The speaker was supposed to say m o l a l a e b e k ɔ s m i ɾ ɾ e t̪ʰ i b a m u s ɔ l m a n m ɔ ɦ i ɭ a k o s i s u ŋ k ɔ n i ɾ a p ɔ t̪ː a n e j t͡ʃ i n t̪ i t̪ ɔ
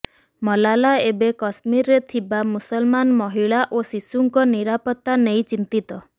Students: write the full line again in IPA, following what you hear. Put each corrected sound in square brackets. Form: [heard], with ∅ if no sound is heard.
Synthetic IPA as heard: m [ɔ] l a l a e b e k ɔ s m i ɾ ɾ e t̪ʰ i b a m u s ɔ l m a n m ɔ ɦ i ɭ a [ʔ] o s i s u ŋ k ɔ n i ɾ a p ɔ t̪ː a n e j t͡ʃ i n t̪ i t̪ ɔ

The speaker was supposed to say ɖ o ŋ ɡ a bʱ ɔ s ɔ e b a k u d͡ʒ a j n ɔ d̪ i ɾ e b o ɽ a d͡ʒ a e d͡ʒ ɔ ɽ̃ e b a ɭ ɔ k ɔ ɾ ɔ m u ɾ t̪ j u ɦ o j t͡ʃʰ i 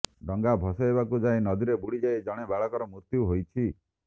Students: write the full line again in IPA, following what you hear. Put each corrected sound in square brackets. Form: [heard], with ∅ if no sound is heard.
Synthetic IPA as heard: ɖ [ɔ] ŋ ɡ a bʱ ɔ s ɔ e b a k u d͡ʒ a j n ɔ d̪ i ɾ e b [u] ɽ [i] d͡ʒ a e d͡ʒ ɔ ɽ̃ e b a ɭ ɔ k ɔ ɾ ɔ m u ɾ t̪ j u ɦ o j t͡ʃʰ i

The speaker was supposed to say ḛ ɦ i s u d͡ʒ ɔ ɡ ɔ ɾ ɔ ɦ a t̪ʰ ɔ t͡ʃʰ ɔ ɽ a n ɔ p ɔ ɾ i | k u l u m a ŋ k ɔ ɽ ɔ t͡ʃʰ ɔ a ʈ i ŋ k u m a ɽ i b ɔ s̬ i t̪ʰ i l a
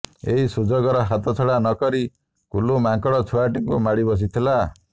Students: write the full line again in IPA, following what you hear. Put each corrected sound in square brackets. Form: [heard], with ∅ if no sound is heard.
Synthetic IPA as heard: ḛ ɦ i s u d͡ʒ ɔ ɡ ɔ ɾ ɔ ɦ a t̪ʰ ɔ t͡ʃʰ ɔ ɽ a n ɔ [k] ɔ ɾ i | k u l u m a ŋ k ɔ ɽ ɔ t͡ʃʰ [u] a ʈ i ŋ k u m a ɽ i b ɔ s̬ i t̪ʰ i l a

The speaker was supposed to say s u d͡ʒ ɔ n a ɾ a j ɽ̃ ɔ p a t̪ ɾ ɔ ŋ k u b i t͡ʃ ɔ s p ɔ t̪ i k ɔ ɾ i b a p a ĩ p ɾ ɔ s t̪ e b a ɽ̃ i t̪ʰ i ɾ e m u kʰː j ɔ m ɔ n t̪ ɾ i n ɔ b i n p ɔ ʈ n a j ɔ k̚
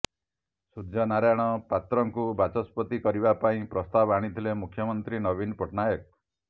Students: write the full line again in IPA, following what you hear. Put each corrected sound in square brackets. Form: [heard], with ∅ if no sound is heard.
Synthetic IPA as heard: s u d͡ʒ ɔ n a ɾ a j ɽ̃ ɔ p a t̪ ɾ ɔ ŋ k u b [a] t͡ʃ ɔ s p ɔ t̪ i k ɔ ɾ i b a p a ĩ p ɾ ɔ s t̪ [a] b a ɽ̃ i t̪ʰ i [l] e m u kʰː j ɔ m ɔ n t̪ ɾ i n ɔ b i n p ɔ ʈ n a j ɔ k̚

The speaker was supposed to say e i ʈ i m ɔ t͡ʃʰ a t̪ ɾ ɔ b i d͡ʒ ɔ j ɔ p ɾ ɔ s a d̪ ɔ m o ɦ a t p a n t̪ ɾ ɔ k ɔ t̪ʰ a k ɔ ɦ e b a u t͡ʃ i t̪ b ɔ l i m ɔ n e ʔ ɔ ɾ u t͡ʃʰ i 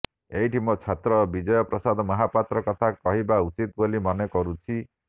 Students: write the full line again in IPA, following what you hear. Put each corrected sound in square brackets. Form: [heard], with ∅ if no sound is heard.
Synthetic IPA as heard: e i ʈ i m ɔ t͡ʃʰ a t̪ ɾ ɔ b i d͡ʒ ɔ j ɔ p ɾ ɔ s a d̪ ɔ m [ɔ] ɦ a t p a [∅] t̪ ɾ ɔ k ɔ t̪ʰ a k ɔ ɦ [i] b a u t͡ʃ i t̪ b [o] l i m ɔ n e [k] ɔ ɾ u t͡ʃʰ i

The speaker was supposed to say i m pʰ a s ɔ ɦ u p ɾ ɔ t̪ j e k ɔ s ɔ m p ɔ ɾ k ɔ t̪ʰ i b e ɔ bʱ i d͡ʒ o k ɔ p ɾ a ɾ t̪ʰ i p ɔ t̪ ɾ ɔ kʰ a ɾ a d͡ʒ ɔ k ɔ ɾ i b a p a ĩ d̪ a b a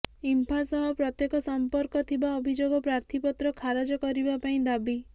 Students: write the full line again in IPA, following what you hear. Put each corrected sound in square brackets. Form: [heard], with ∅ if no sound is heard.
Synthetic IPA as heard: i m pʰ a s ɔ ɦ [ɔ] p ɾ ɔ t̪ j e k ɔ s ɔ m p ɔ ɾ k ɔ t̪ʰ i b [a] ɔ bʱ i d͡ʒ o [ɡ] ɔ p ɾ a ɾ t̪ʰ i p ɔ t̪ ɾ ɔ kʰ a ɾ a d͡ʒ ɔ k ɔ ɾ i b a p a ĩ d̪ a b [i]

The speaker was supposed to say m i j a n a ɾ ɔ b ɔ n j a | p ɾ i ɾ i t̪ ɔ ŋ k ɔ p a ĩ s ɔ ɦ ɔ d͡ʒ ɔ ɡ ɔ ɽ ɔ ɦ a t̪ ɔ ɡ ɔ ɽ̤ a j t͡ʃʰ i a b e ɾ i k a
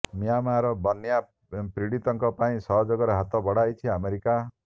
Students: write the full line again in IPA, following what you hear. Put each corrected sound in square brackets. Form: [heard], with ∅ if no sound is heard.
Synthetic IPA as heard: m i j a [m] a ɾ ɔ b ɔ n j a | p ɾ i [ɽ] i t̪ ɔ ŋ k ɔ p a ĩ s ɔ ɦ ɔ d͡ʒ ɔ ɡ ɔ [ɾ] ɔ ɦ a t̪ ɔ [b] ɔ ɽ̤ a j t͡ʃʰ i a [m] e ɾ i k a

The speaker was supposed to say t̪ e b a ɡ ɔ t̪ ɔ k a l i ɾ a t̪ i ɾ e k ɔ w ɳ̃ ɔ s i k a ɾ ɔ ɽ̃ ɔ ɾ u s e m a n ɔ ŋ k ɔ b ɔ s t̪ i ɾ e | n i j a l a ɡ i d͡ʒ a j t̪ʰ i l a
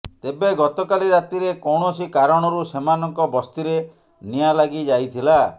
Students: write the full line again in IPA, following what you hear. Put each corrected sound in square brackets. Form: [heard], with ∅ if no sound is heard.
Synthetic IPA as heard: t̪ e b [e] ɡ ɔ t̪ ɔ k a l i ɾ a t̪ i ɾ e k ɔ w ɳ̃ ɔ s i k a ɾ ɔ ɽ̃ ɔ ɾ u s e m a n ɔ ŋ k ɔ b ɔ s t̪ i ɾ e | n i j a l a ɡ i d͡ʒ a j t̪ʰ i l a

